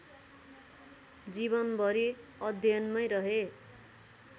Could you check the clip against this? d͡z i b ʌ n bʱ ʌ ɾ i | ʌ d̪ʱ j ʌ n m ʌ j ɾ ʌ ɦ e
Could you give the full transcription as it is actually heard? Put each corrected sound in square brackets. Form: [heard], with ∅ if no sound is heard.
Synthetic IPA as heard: d͡z i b ʌ n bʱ ʌ ɾ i | ʌ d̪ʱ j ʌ n m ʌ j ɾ ʌ ɦ e

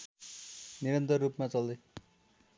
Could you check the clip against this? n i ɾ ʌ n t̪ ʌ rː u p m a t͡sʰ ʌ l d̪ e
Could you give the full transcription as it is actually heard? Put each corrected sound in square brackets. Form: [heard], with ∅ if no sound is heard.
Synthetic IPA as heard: n i ɾ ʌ n t̪ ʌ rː u p m a [t͡s] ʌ l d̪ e

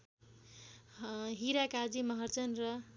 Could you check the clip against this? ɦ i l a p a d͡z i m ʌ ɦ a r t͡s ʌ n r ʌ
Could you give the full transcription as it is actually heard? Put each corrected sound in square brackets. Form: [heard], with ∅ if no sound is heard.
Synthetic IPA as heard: ɦ i [ɾ] a [k] a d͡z i m ʌ ɦ [ʌ] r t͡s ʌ n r ʌ

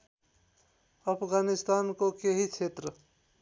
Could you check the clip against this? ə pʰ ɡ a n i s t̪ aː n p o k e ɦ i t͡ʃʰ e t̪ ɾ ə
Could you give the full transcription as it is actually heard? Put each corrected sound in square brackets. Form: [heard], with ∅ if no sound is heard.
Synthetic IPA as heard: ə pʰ ɡ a n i s t̪ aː n [k] o k e ɦ i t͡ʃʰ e t̪ ɾ ə

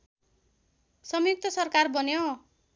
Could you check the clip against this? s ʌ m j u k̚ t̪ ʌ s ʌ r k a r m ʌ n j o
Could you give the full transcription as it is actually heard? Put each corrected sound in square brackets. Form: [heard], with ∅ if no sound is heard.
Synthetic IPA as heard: s ʌ m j u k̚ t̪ ʌ s ʌ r k a r [b] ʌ n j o

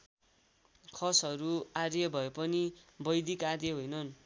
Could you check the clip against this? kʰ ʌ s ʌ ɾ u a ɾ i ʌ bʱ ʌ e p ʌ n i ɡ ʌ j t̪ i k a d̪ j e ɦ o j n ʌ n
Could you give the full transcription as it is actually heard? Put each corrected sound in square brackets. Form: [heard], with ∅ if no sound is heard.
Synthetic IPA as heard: kʰ ʌ s ʌ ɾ u a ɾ [j] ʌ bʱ ʌ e p ʌ n i [b] ʌ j [d̪] i k a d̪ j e ɦ o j n ʌ n

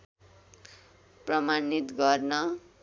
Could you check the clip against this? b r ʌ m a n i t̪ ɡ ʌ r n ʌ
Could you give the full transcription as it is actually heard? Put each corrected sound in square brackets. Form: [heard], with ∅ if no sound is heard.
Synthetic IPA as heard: [p] r ʌ m a n i t̪ ɡ ʌ r n ʌ

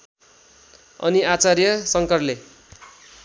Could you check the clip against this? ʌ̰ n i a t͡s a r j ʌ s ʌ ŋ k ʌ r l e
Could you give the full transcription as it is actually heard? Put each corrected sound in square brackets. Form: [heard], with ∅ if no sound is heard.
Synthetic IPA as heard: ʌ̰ n i a t͡s a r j ʌ s ʌ ŋ k ʌ r l e

